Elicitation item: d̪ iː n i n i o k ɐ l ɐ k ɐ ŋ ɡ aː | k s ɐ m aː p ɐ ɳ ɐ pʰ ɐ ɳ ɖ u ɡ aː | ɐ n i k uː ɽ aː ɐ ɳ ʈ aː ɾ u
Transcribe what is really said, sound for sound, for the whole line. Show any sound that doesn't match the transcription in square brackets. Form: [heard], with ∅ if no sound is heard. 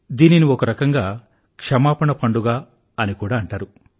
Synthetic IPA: d̪ iː n i n i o k ɐ [ɾ] ɐ k ɐ ŋ ɡ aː | k [ʂ] ɐ m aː p ɐ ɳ ɐ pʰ ɐ ɳ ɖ u ɡ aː | ɐ n i k uː ɽ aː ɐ ɳ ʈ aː ɾ u